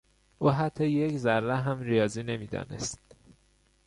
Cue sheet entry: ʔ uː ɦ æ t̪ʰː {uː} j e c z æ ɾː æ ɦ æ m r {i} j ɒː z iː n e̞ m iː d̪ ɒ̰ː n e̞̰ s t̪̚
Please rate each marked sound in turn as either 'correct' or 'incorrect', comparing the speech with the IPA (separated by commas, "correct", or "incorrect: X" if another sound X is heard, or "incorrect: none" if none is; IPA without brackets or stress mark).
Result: incorrect: ɒː, correct